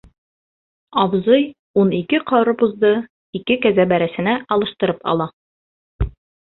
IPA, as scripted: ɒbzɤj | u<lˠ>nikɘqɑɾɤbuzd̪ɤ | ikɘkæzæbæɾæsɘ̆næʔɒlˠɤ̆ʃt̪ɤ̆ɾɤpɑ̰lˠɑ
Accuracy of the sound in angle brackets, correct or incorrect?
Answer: incorrect